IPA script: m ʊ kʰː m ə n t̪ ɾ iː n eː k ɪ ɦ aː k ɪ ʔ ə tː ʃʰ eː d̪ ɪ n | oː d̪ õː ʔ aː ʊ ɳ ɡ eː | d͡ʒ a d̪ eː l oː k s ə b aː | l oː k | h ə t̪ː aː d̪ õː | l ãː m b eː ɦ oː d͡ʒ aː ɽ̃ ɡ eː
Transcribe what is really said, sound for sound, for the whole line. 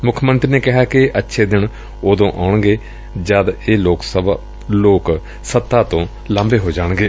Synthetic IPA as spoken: m ʊ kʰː m ə n t̪ ɾ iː n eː k ɪ ɦ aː k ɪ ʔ ə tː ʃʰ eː d̪ ɪ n | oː d̪ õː ʔ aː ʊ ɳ ɡ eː | d͡ʒ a d̪ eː l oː k s ə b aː | l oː k | s ə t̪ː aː t̪ õː | l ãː m b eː ɦ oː d͡ʒ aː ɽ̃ ɡ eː

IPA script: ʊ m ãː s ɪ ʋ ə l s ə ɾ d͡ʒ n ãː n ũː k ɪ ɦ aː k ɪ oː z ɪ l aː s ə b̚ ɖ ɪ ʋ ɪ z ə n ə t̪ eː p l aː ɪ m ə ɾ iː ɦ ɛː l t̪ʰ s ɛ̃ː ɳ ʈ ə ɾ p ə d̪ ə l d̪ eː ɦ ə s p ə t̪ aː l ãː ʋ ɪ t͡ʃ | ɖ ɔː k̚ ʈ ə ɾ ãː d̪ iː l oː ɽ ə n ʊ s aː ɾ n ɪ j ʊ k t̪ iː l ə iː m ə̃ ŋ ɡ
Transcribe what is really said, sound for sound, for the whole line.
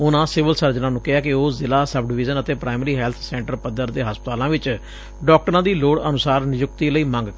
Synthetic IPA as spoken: ʊ n ãː s ɪ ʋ ə l s ə ɾ d͡ʒ n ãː n ũː k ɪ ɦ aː k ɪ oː z ɪ l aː s ə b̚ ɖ ɪ ʋ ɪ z ə n ə t̪ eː p ɾ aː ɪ m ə ɾ iː ɦ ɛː l t̪ʰ s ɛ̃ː ɳ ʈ ə ɾ p ə d̪ ə ɾ d̪ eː ɦ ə s p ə t̪ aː l ãː ʋ ɪ t͡ʃ | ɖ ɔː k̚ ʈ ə ɾ ãː d̪ iː l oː ɽ ə n ʊ s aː ɾ n ɪ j ʊ k t̪ iː l ə iː m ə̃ ŋ ɡ

